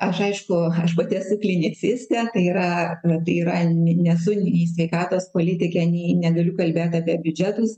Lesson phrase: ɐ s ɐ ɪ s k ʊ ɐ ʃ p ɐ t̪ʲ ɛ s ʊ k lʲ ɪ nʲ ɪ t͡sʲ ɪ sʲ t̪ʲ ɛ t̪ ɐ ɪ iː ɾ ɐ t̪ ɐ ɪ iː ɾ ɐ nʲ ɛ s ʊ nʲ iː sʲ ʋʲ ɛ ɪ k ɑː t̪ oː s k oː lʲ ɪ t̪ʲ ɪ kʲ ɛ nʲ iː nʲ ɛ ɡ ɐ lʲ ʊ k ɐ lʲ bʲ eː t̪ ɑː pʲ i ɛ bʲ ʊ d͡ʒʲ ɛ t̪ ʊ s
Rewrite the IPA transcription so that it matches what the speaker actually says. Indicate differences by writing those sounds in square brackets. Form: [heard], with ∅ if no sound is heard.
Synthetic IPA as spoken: ɐ [ʃ] ɐ ɪ [ʃ] k ʊ ɐ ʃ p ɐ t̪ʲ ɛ s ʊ k lʲ ɪ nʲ ɪ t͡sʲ ɪ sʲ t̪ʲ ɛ t̪ ɐ ɪ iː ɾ ɐ t̪ ɐ ɪ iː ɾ ɐ nʲ ɛ s ʊ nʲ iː sʲ ʋʲ ɛ ɪ k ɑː t̪ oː s [p] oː lʲ ɪ t̪ʲ ɪ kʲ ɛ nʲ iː nʲ ɛ ɡ ɐ lʲ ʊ k ɐ lʲ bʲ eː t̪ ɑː pʲ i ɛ bʲ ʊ d͡ʒʲ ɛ t̪ ʊ s